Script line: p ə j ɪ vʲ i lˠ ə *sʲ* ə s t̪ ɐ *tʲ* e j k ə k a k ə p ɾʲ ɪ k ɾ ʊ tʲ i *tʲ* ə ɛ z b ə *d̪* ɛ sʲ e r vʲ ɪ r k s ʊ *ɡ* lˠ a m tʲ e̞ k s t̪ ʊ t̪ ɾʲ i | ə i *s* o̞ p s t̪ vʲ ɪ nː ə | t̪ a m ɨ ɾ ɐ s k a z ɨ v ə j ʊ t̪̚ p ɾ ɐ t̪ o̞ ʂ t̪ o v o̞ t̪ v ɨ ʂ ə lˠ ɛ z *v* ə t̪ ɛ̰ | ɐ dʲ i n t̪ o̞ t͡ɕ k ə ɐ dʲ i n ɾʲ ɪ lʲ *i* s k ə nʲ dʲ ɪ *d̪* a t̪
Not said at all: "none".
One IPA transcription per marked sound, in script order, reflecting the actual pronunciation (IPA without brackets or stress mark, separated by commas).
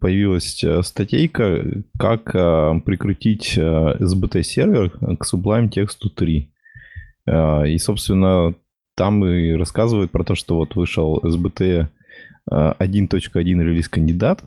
sʲ, tʲ, tʲ, t̪, b, s, b, i, d̪